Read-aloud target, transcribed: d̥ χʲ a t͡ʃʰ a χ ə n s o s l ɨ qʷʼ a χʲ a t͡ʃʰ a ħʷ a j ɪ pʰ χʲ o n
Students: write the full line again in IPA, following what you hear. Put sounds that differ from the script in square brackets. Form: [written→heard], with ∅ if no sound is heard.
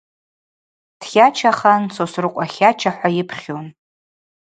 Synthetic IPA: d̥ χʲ a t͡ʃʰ a χ [ə→a] n s o s [l→r] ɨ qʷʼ a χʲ a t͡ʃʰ a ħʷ a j ɪ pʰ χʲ o n